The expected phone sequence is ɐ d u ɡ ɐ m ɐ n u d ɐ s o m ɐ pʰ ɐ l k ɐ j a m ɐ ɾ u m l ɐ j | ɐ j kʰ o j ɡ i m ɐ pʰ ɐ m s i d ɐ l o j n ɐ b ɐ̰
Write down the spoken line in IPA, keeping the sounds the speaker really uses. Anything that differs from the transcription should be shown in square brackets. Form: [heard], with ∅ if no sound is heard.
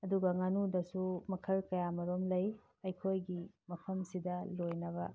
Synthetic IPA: ɐ d u ɡ ɐ [ŋ] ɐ n u d ɐ s [u] m ɐ [kʰ] ɐ l k ɐ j a m ɐ ɾ [o] m l ɐ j | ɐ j kʰ o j ɡ i m ɐ pʰ ɐ m s i d ɐ l o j n ɐ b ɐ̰